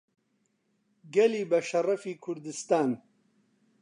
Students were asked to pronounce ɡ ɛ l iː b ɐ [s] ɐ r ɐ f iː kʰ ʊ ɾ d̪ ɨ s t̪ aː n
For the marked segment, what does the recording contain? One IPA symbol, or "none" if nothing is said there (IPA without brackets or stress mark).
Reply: ʃ